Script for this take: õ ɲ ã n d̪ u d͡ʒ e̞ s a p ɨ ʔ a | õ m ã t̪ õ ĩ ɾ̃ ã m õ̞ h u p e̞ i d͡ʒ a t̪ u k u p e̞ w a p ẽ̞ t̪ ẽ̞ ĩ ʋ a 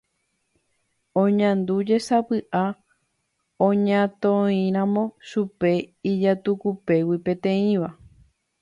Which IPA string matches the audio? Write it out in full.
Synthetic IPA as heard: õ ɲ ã n d̪ u d͡ʒ e̞ s a p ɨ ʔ a | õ ɲ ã t̪ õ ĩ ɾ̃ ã m õ̞ ʃ u p e̞ i d͡ʒ a t̪ u k u p e̞ w i p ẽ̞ t̪ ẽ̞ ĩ ʋ a